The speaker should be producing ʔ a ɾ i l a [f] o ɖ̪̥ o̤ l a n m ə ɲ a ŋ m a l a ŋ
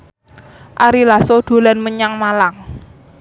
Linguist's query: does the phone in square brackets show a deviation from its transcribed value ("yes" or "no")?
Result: yes